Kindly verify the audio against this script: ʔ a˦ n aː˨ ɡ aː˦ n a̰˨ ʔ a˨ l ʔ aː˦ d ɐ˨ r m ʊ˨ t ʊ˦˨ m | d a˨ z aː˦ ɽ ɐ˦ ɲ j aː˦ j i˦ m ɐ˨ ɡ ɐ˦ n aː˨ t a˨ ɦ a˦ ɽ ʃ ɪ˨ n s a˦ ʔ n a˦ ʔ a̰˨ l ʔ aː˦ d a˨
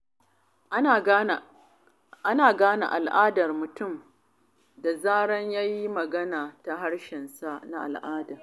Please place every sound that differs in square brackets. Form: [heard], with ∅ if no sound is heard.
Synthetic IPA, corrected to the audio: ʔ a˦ n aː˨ ɡ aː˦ n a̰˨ ʔ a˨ l ʔ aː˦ d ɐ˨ r m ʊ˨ t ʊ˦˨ m | d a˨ z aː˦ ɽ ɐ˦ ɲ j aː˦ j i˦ m ɐ˨ ɡ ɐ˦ n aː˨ t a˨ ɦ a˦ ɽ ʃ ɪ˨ n s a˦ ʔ n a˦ ʔ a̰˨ l ʔ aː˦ d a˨